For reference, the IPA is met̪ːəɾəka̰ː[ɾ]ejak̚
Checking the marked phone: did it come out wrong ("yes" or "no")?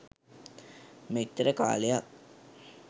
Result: yes